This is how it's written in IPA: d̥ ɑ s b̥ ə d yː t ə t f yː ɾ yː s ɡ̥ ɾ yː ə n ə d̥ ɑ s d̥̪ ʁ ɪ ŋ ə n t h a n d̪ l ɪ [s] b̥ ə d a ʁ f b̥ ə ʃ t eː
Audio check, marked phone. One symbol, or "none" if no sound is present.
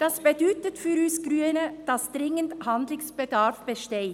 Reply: s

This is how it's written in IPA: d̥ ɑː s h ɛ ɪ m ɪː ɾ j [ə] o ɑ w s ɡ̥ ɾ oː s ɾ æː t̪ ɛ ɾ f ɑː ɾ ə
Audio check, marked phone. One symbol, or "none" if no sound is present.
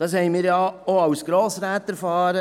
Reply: ɑ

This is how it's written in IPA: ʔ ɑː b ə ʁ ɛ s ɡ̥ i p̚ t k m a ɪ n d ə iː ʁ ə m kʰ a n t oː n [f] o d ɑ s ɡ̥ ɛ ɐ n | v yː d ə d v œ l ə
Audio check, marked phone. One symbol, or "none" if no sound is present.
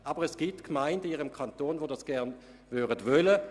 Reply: v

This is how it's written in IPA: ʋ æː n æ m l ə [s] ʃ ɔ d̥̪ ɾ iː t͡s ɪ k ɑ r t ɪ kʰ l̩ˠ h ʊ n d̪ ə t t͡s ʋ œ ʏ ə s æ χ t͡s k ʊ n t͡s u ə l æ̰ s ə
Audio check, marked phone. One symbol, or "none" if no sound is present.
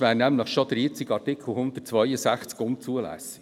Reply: χ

